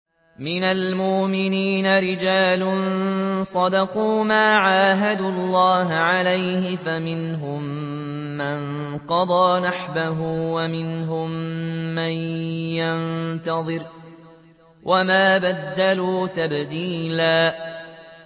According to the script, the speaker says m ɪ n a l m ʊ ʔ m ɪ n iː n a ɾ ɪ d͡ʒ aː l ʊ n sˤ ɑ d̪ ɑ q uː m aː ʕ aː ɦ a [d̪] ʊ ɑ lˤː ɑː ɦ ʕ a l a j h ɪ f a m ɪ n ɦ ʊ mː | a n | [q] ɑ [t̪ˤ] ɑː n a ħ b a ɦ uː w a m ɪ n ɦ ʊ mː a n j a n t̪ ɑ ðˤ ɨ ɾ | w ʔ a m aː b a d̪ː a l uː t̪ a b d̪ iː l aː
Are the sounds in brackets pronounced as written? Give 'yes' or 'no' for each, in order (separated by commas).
yes, yes, no